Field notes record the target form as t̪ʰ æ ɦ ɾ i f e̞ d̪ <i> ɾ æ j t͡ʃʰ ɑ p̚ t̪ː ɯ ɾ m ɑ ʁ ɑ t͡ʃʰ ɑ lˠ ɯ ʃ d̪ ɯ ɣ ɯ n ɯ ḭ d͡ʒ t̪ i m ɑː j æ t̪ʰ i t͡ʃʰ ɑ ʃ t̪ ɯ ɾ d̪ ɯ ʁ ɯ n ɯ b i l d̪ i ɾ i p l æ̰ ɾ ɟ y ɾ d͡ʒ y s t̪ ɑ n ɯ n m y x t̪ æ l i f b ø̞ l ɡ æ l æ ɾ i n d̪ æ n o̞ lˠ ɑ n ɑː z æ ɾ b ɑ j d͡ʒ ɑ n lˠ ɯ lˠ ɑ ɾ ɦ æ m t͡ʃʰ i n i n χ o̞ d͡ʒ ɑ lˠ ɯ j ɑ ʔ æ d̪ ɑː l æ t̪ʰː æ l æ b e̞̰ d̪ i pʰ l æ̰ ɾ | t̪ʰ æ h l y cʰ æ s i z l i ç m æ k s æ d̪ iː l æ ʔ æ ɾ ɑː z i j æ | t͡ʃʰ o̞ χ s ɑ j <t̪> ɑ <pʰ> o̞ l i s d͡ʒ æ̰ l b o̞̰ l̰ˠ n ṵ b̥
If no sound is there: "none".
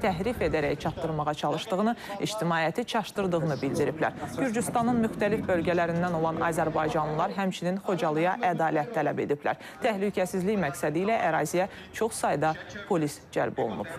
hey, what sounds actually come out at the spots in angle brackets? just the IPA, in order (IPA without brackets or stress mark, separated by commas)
æ, d̪, pʰ